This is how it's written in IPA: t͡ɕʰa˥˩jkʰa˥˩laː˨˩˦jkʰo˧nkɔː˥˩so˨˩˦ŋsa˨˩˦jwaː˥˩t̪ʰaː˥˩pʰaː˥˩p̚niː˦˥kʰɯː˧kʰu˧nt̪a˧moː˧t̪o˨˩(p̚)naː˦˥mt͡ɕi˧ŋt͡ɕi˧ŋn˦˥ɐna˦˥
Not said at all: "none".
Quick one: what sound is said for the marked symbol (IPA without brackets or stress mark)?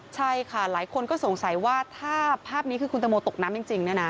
k̚